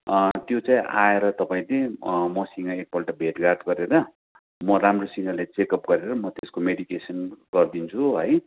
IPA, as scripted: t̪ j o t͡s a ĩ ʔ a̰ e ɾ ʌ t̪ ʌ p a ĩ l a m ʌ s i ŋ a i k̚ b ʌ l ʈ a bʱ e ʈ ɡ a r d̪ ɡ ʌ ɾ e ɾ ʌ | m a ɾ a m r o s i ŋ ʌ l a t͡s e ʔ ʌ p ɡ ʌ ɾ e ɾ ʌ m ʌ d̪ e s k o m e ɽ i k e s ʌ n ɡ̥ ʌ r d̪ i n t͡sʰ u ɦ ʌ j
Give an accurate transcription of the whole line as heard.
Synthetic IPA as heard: t̪ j o t͡s a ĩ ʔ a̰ e ɾ ʌ t̪ ʌ p a ĩ l e m ʌ s i ŋ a e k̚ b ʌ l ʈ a bʱ e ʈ ɡ a r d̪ ɡ ʌ ɾ e ɾ ʌ | m ʌ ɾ a m r o s i ŋ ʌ l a t͡s e k ʌ p ɡ ʌ ɾ e ɾ ʌ m ʌ t̪ e s k o m e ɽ i k e s ʌ n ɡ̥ ʌ r d̪ i n t͡sʰ u ɦ ʌ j

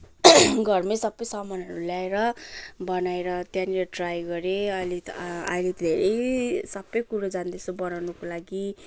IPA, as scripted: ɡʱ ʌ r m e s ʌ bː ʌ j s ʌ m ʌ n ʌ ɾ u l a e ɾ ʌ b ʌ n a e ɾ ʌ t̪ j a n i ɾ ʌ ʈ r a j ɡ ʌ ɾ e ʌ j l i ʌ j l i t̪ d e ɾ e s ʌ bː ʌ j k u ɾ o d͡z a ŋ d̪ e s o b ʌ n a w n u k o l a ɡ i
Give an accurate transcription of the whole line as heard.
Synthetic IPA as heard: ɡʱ ʌ r m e s ʌ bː ʌ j s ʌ m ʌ n ʌ ɾ u l a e ɾ ʌ b ʌ n a e ɾ ʌ t̪ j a n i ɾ ʌ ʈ r a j ɡ ʌ ɾ e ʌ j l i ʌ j l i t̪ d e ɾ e s ʌ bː ʌ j k u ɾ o d͡z a n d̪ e s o b ʌ n a w n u k o l a ɡ i

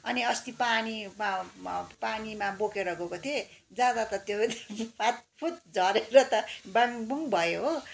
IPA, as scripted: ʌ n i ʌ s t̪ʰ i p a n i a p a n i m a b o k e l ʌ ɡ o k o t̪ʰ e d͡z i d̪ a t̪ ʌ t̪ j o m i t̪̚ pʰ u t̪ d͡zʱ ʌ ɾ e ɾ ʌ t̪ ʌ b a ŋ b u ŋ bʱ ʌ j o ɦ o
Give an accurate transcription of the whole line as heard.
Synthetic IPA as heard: ʌ n i ʌ s t̪ i p a n i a p a n i m a b o k e ɾ ʌ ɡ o k o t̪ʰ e d͡z a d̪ a t̪ ʌ t̪ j o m a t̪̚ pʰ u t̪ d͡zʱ ʌ ɾ e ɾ ʌ t̪ ʌ b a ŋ b u ŋ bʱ ʌ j o ɦ o

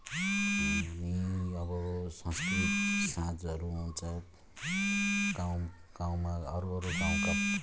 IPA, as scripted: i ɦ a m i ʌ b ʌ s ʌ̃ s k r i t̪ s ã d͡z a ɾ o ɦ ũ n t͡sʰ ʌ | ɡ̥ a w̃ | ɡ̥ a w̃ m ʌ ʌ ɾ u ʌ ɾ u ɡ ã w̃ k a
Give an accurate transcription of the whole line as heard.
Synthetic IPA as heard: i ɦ a m i ʌ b ʌ s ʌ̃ s k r i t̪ s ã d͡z ʌ ɾ u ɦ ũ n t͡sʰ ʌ | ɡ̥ a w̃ | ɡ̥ a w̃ m a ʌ ɾ u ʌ ɾ u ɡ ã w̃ k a

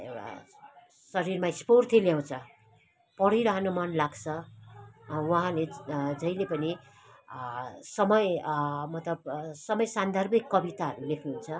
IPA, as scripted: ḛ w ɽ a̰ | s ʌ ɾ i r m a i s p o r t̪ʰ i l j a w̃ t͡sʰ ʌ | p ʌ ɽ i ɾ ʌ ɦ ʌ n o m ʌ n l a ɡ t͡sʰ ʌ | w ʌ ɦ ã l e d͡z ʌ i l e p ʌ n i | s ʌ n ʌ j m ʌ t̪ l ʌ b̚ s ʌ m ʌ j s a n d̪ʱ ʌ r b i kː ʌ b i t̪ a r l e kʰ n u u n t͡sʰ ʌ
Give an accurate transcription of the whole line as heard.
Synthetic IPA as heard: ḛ w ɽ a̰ | s ʌ ɾ i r m a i s p o r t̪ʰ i l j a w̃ t͡sʰ ʌ | p ʌ ɽ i ɾ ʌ ɦ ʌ n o m ʌ n l a ɡ t͡sʰ ʌ | w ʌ ɦ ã l e d͡z ʌ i l e p ʌ n i | s ʌ m ʌ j m ʌ t̪ l ʌ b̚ s ʌ m ʌ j s a n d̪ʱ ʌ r b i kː ʌ b i t̪ a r l e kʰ n u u n t͡sʰ ʌ

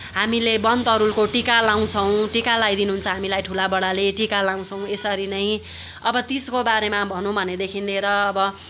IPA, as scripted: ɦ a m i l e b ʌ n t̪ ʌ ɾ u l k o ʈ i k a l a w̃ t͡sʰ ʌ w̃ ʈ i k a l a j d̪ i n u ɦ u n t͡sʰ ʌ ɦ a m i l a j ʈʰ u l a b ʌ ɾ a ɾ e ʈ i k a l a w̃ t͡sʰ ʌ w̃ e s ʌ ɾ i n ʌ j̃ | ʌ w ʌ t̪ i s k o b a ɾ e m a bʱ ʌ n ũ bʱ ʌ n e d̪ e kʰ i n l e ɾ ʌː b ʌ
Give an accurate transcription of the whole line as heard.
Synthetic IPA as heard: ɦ a m i l e b ʌ n t̪ ʌ ɾ u l k o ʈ i k a l a w̃ t͡sʰ ʌ w̃ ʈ i k a l a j d̪ i n u ɦ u n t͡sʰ ʌ ɦ a m i l a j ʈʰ u l a b ʌ ɽ a l e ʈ i k a l a w̃ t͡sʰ ʌ w̃ e s ʌ ɾ i n ʌ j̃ | ʌ b ʌ t̪ i s k o b a ɾ e m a bʱ ʌ n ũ bʱ ʌ n e d̪ e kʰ i n l e ɾ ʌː b ʌ

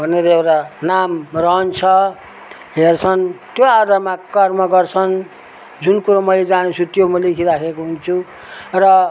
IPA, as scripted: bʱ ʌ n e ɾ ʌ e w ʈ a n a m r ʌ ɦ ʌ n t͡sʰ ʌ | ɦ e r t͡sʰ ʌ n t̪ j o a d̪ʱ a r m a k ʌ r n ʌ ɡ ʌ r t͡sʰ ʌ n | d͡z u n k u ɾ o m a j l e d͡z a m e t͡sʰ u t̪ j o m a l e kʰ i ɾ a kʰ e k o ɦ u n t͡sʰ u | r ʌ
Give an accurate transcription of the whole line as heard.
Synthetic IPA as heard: bʱ ʌ n e ɾ ʌ e w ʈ a n a m r ʌ ɦ ʌ n t͡sʰ ʌ | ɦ e r t͡sʰ ʌ n t̪ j o a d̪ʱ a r m a k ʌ r m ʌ ɡ ʌ r t͡sʰ ʌ n | d͡z u n k u ɾ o m ʌ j l e d͡z a n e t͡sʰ u t̪ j o m ʌ l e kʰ i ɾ a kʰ e k o ɦ u n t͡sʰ u | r ʌ

